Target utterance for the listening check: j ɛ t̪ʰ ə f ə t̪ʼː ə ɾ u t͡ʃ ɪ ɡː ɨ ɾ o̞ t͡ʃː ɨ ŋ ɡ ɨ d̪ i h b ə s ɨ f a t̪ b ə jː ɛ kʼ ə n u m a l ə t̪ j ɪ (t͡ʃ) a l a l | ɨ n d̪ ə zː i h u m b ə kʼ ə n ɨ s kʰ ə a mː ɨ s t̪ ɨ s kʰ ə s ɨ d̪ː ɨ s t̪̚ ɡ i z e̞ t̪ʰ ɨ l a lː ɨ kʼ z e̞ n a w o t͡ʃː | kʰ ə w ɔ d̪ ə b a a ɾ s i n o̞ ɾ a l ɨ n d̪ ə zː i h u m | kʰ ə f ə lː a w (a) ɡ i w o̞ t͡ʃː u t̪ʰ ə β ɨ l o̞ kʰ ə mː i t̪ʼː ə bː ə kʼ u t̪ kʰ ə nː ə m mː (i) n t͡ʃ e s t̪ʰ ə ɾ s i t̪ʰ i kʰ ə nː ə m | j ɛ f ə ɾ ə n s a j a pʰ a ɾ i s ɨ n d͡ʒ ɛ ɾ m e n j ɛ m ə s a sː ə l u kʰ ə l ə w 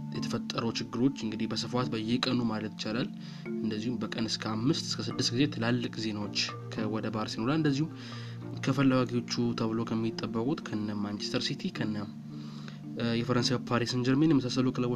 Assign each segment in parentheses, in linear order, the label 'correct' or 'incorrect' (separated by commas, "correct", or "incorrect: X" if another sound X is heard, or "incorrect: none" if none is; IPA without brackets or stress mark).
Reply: correct, correct, incorrect: a